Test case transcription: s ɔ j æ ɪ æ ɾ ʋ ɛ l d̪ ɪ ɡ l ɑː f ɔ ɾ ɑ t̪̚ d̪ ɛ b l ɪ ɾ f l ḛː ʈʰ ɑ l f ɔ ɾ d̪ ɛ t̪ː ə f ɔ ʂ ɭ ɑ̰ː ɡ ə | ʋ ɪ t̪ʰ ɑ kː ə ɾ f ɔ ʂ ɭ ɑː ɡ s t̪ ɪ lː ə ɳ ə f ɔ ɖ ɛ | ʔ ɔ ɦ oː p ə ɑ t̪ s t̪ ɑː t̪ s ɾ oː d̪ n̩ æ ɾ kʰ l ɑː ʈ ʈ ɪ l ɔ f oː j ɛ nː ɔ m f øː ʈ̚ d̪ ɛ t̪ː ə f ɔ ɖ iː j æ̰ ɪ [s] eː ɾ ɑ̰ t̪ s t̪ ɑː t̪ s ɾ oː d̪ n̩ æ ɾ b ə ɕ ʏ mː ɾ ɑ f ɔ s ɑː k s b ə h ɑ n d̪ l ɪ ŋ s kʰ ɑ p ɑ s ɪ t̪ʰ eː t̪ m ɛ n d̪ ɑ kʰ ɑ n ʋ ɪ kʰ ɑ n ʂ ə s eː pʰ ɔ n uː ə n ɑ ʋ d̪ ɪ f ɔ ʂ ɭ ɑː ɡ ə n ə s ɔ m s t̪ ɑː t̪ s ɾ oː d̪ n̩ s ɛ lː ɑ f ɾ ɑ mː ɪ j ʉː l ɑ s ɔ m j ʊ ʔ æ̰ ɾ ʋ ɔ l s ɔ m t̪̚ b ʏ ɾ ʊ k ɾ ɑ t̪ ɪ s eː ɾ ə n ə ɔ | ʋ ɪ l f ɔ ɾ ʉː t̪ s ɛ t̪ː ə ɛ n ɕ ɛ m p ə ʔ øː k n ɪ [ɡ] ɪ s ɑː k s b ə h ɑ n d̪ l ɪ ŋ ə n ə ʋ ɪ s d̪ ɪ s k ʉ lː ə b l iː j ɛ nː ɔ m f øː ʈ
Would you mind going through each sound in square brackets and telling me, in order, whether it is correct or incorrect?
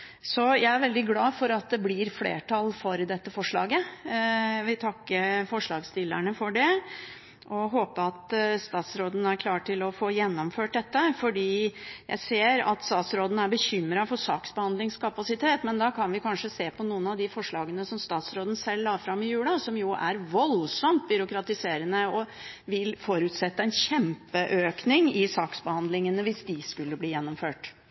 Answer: correct, incorrect: ŋ

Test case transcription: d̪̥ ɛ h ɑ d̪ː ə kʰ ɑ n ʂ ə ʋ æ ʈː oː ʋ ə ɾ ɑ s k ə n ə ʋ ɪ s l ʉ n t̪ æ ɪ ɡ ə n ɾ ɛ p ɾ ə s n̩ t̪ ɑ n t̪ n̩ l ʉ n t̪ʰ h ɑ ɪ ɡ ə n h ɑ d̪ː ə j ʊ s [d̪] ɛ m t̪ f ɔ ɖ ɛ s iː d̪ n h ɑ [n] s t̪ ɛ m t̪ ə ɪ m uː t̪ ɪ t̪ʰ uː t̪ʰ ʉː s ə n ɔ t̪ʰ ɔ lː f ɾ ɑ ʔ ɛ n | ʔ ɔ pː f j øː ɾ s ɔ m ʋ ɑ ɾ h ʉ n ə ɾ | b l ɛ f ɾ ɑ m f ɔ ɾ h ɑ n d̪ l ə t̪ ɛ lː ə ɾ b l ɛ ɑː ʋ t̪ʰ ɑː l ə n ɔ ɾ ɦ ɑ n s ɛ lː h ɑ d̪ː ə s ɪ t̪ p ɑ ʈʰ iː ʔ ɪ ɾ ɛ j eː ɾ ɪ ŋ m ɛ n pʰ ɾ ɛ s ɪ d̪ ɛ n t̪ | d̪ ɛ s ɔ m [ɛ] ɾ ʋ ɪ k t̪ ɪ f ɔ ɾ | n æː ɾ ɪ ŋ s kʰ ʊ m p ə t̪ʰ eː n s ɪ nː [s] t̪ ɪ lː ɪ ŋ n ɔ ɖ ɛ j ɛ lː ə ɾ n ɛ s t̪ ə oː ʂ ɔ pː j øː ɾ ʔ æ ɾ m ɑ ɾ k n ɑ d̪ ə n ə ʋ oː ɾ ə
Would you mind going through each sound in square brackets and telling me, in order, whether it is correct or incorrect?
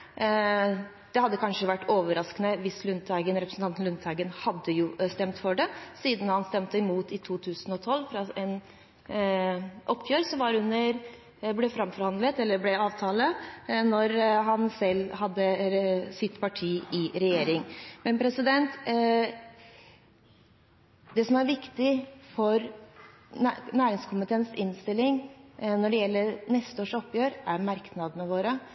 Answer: incorrect: t̪, correct, incorrect: æ, correct

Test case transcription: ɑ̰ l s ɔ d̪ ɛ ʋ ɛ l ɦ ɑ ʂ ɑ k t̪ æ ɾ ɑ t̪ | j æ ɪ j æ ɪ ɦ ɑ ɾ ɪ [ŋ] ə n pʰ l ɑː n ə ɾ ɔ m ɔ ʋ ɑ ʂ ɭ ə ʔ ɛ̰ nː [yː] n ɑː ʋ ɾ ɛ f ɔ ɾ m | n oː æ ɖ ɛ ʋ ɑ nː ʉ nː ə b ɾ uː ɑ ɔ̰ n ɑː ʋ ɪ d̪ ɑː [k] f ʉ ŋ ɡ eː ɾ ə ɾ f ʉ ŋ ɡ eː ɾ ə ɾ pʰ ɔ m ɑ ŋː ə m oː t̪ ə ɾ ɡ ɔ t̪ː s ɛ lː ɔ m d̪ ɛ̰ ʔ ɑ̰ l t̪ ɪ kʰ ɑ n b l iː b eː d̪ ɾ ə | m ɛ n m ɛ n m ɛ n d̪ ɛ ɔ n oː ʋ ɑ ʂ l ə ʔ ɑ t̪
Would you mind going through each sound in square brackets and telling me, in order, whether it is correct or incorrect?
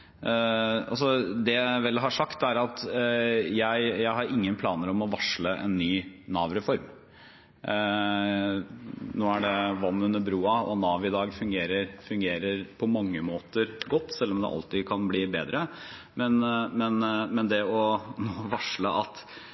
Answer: incorrect: ŋː, correct, incorrect: ɡ

